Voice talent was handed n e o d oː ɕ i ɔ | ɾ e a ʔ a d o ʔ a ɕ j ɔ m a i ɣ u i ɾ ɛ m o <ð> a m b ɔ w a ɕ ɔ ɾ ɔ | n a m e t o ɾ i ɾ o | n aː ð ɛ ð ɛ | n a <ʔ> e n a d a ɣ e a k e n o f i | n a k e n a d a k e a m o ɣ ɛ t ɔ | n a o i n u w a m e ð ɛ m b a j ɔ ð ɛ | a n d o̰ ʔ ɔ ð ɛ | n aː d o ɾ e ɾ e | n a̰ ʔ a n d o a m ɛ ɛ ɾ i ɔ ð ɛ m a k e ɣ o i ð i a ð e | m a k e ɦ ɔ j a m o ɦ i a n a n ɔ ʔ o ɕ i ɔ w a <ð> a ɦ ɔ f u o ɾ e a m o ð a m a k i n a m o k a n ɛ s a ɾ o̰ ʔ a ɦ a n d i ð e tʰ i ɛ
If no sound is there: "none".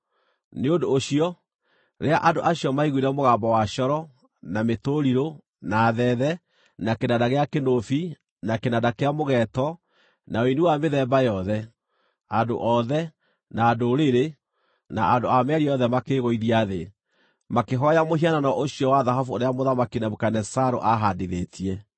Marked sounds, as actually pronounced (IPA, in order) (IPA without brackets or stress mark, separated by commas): ɣ, k, ð